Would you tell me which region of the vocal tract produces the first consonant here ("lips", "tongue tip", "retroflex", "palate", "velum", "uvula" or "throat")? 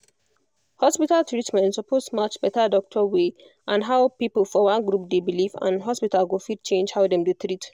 throat